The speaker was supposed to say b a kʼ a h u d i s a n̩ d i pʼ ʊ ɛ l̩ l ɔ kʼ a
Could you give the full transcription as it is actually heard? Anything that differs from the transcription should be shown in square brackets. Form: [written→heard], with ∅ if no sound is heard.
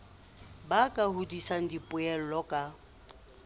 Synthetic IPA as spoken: b a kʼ a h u d i s a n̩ d i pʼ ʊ ɛ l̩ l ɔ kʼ a